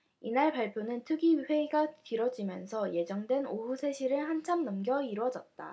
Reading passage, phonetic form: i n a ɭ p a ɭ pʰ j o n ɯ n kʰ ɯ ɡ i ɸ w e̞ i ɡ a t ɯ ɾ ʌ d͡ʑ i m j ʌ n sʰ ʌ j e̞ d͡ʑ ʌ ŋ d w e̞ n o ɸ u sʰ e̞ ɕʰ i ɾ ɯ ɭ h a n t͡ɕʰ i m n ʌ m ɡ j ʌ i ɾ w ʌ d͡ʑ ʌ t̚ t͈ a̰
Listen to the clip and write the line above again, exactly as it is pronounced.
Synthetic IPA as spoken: i n a ɭ p a ɭ pʰ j o n ɯ n tʰ ɯ ɡ i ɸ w e̞ i ɡ a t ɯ ɾ ʌ d͡ʑ i m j ʌ n sʰ ʌ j e̞ d͡ʑ ʌ ŋ d w e̞ n o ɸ u sʰ e̞ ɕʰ i ɾ ɯ ɭ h a n t͡ɕʰ a m n ʌ m ɡ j ʌ i ɾ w ʌ d͡ʑ ʌ t̚ t͈ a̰